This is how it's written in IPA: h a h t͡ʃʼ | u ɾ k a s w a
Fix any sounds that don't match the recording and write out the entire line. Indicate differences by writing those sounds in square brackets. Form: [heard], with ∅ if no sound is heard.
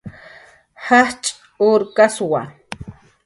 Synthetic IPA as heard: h a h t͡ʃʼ | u ɾ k a s w a